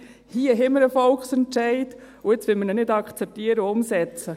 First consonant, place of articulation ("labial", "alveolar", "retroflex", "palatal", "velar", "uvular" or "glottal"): glottal